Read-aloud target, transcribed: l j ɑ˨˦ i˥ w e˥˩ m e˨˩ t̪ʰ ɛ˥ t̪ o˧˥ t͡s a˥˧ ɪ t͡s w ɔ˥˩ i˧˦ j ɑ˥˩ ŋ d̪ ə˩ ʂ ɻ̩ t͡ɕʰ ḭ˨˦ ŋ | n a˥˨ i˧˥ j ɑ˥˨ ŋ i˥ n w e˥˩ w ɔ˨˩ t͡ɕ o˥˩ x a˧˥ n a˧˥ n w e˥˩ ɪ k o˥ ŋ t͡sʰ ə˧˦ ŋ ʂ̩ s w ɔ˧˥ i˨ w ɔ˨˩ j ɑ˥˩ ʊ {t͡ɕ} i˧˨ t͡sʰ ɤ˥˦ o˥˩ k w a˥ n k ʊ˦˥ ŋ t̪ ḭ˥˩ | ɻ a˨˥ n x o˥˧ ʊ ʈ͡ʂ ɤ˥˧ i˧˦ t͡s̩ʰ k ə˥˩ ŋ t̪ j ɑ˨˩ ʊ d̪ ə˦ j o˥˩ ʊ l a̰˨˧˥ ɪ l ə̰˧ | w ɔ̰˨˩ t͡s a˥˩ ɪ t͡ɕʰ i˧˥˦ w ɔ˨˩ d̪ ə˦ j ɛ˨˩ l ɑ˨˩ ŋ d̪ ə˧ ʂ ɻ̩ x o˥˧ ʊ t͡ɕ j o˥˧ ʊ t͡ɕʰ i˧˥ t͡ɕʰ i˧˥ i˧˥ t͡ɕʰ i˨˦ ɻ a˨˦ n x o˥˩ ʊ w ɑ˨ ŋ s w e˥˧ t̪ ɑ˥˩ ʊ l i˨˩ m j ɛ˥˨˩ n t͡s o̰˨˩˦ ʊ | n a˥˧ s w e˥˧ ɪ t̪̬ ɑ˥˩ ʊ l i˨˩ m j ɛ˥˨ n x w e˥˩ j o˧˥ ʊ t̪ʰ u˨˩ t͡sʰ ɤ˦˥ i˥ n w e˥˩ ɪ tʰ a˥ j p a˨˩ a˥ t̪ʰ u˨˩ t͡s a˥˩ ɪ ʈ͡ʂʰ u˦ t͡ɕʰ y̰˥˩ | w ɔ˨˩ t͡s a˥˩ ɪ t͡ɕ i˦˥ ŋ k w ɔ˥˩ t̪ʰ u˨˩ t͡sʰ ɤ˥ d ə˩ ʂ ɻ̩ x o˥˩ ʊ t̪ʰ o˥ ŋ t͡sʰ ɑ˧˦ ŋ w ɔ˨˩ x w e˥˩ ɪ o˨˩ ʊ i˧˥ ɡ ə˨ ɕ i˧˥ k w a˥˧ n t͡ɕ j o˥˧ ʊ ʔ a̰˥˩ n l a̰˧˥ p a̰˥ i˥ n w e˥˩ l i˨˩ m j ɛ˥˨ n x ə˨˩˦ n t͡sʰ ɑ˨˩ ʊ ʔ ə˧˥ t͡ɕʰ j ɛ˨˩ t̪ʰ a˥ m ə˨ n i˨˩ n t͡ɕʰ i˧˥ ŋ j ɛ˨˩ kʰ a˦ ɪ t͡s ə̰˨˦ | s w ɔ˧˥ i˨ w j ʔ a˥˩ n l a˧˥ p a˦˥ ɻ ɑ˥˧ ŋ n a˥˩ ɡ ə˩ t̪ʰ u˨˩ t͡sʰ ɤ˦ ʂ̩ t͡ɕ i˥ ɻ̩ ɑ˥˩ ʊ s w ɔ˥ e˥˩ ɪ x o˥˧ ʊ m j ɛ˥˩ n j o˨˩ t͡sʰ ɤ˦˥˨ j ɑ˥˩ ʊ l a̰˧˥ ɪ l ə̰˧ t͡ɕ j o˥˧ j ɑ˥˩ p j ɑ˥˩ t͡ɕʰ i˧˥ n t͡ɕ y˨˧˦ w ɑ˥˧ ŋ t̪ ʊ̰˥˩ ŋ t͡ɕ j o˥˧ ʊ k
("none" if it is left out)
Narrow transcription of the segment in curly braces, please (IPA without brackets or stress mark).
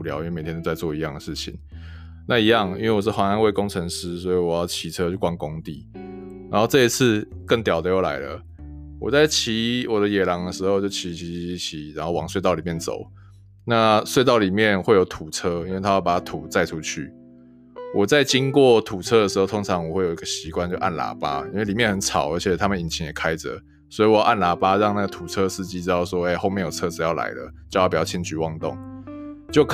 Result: t͡ɕʰ